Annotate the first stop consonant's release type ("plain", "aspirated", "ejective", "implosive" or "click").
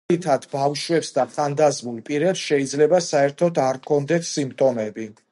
aspirated